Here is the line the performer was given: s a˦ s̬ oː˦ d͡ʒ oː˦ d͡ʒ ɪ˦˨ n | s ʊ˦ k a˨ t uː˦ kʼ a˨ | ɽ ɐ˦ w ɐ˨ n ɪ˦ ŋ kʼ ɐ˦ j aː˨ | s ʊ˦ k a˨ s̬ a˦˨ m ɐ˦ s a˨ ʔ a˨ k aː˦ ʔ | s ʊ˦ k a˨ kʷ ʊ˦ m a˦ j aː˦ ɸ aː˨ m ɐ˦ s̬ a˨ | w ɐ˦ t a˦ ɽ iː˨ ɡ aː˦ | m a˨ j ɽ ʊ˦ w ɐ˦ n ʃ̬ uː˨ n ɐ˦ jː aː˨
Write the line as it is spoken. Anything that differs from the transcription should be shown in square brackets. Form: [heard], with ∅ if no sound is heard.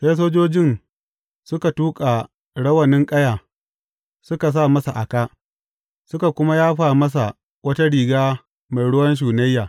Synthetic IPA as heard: s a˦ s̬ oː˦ d͡ʒ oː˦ d͡ʒ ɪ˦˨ n | s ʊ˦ k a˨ t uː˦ kʼ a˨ | ɽ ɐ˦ w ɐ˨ n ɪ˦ ŋ kʼ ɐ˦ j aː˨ | s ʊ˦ k a˨ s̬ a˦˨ m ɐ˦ s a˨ ʔ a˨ k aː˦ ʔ | s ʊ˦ k a˨ kʷ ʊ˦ m a˦ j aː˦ ɸ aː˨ m ɐ˦ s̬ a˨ | w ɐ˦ t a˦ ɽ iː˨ ɡ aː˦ | m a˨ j ɽ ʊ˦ w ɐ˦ n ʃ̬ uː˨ n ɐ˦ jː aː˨